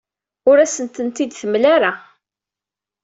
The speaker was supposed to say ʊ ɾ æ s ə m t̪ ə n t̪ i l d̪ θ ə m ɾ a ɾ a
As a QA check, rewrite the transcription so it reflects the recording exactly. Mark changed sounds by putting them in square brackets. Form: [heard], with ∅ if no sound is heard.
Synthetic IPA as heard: ʊ ɾ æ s ə [n] t̪ ə n t̪ i [∅] d̪ θ ə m [l] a ɾ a